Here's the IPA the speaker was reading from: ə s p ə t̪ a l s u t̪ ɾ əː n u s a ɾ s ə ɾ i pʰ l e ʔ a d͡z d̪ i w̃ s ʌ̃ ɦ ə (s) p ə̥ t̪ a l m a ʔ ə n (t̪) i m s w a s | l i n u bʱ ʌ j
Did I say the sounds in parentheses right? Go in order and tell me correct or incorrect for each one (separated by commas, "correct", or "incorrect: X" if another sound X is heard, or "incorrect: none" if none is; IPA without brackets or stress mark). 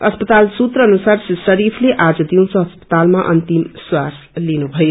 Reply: correct, correct